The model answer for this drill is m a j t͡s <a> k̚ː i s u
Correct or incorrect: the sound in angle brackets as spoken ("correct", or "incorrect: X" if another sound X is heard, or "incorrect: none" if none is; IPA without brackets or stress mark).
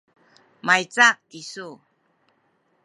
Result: correct